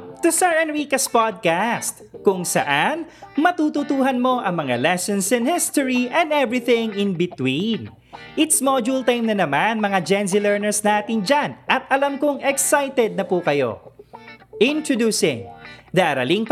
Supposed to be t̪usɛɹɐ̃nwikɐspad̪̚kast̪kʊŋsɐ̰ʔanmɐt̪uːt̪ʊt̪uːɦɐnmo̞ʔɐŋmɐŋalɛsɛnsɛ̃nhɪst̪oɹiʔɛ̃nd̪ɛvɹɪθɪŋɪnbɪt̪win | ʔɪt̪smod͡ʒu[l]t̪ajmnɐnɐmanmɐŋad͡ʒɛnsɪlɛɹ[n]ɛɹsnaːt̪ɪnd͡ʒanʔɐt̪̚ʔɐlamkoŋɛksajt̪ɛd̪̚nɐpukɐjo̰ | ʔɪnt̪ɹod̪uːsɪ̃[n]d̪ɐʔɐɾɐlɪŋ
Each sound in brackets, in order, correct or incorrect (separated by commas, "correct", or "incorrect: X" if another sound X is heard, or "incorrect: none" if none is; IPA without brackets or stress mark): correct, correct, incorrect: ŋ